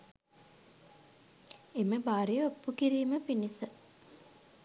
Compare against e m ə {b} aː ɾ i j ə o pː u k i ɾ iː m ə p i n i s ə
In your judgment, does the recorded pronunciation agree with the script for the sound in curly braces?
yes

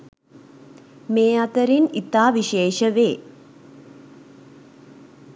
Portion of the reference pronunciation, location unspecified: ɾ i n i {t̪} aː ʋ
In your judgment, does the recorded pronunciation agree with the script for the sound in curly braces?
yes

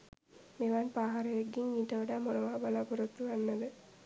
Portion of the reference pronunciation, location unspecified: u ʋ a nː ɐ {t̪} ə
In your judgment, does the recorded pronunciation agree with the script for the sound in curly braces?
no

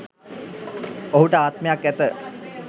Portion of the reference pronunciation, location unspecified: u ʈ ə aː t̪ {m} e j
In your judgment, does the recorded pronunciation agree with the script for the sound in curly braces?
yes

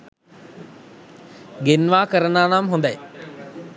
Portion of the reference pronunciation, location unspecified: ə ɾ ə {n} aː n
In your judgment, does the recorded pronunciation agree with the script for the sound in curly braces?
yes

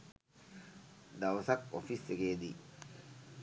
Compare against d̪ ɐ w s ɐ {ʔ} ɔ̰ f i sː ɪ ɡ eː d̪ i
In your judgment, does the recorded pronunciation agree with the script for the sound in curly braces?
no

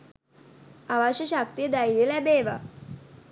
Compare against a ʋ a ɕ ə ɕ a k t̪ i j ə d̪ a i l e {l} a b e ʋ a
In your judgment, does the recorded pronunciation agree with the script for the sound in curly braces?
yes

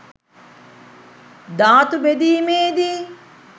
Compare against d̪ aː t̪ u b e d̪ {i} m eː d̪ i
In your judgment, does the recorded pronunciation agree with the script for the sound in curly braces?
no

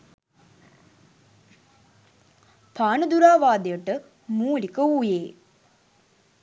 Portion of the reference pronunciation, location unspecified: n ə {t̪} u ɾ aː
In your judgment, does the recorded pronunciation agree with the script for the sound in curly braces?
no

